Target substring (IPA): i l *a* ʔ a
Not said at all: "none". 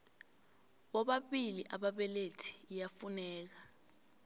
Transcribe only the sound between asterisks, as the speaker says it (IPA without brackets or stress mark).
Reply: i